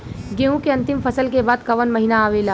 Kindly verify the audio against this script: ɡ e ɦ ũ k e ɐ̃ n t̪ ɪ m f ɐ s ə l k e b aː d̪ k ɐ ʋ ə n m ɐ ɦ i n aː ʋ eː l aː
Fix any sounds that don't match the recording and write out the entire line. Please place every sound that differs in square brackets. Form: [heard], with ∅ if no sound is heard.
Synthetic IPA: ɡ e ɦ ũ k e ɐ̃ n t̪ ɪ m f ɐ s ə l k e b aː d̪ k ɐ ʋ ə n m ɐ ɦ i n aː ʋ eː l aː